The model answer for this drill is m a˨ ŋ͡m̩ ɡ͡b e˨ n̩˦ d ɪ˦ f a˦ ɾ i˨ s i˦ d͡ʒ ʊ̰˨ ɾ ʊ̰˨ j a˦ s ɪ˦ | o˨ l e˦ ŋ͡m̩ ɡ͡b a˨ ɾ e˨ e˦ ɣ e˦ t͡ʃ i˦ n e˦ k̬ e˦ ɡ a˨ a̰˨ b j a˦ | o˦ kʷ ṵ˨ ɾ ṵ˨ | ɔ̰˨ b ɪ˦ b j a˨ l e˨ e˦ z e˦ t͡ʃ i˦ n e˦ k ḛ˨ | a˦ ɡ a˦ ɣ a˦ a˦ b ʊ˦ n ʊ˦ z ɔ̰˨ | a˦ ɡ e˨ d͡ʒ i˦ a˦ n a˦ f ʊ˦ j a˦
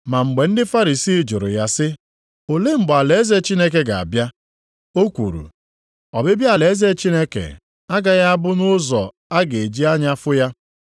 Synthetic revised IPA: m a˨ ŋ͡m̩ ɡ͡b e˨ n̩˦ d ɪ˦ f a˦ ɾ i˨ s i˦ d͡ʒ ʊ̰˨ ɾ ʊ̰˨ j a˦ s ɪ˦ | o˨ l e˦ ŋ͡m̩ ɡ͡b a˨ l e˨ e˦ z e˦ t͡ʃ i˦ n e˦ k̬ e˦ ɡ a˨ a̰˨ b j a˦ | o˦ kʷ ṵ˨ ɾ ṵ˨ | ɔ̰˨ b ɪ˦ b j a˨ l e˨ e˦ z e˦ t͡ʃ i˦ n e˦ k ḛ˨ | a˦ ɡ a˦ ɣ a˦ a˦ b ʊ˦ n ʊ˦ z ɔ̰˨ | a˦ ɡ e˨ d͡ʒ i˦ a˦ ɲ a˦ f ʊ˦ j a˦

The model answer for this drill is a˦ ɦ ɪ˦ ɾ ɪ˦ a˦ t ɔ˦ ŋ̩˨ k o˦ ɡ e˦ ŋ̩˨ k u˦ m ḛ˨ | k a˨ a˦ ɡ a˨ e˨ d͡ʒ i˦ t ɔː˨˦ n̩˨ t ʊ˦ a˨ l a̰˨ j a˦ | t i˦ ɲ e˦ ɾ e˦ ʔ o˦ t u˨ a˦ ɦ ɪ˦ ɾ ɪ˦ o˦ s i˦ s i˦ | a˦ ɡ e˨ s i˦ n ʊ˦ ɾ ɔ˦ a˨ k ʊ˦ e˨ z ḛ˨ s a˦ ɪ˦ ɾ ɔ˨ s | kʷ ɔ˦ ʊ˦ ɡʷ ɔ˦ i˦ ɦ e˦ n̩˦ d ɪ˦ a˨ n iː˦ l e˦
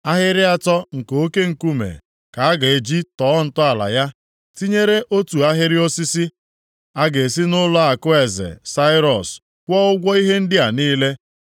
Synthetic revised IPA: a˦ ɦ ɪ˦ ɾ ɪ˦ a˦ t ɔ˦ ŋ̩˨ k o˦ k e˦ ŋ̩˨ k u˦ m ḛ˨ | k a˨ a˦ ɡ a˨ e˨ d͡ʒ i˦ t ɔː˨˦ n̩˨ t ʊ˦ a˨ l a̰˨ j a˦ | t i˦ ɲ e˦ ɾ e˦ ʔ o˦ t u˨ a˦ ɦ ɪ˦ ɾ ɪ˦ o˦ s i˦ s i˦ | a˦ ɡ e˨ s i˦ n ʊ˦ l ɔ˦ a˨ k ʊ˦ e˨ z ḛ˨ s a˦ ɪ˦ ɾ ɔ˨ s | kʷ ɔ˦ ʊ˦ ɡʷ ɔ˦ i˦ ɦ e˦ n̩˦ d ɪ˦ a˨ n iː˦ l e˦

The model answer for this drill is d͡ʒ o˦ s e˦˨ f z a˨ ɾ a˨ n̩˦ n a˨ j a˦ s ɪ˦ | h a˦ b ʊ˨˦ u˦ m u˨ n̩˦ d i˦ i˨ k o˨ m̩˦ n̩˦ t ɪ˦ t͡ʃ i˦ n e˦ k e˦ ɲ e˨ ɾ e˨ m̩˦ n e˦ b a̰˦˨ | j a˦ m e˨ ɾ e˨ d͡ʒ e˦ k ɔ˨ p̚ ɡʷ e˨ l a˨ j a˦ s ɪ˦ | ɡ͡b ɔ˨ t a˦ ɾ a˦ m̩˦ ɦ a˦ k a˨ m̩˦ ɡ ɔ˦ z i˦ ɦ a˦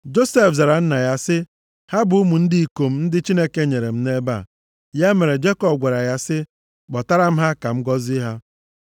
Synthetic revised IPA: d͡ʒ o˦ s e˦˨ f z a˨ ɾ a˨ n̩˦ n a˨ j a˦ s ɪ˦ | h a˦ b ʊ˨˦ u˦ m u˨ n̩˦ d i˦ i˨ k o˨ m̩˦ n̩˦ d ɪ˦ t͡ʃ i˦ n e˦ k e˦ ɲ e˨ ɾ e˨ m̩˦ n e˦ b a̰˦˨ | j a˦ m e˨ ɾ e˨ d͡ʒ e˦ k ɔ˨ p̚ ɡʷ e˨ ɾ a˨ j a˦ s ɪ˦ | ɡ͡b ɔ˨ t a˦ ɾ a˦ m̩˦ ɦ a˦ k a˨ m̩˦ ɡ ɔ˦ z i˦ ɦ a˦

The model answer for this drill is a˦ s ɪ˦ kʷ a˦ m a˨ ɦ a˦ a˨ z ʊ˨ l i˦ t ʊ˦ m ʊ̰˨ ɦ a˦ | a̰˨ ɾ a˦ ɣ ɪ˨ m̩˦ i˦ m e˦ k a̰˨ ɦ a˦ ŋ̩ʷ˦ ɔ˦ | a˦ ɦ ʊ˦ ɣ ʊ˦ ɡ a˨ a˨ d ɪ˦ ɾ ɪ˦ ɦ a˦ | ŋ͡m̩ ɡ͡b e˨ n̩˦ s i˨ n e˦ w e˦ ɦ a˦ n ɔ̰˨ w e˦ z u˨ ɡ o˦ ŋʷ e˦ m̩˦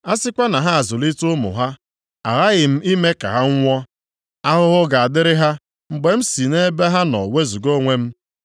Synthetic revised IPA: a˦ s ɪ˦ kʷ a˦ n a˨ ɦ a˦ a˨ z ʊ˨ l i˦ t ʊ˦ m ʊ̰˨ ɦ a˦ | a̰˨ ɾ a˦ ɣ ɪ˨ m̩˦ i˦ m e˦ k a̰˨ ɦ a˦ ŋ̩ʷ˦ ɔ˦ | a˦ ɦ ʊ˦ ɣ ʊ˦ ɡ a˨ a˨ d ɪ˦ ɾ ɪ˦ ɦ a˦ | ŋ͡m̩ ɡ͡b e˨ m̩˦ s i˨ n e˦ b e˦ ɦ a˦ n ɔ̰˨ w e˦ z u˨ ɡ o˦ ŋʷ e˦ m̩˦

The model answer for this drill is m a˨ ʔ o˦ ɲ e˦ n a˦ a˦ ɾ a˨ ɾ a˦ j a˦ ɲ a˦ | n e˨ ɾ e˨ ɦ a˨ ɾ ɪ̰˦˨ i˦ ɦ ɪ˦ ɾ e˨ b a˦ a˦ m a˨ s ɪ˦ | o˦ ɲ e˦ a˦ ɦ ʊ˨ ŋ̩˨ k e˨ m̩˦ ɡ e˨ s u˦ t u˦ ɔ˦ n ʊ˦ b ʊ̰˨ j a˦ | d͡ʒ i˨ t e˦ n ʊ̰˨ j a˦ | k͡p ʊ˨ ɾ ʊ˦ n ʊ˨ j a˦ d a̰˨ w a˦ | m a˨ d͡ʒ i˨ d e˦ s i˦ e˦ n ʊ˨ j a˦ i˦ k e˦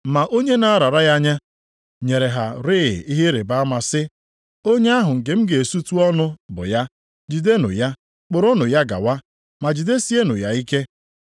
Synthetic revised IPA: m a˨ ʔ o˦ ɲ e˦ n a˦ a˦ ɾ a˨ ɾ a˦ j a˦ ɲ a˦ | ɲ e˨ ɾ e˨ ɦ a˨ ɾ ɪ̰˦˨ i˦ ɦ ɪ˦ ɾ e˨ b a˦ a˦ m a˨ s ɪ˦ | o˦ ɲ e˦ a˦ ɦ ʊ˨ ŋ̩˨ k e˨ m̩˦ ɡ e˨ s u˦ t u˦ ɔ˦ n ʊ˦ b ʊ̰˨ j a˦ | d͡ʒ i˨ d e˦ n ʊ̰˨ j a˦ | k͡p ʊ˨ ɾ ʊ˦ n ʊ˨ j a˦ ɡ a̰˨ w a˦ | m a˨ d͡ʒ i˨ d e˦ s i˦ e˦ n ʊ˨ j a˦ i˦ k e˦

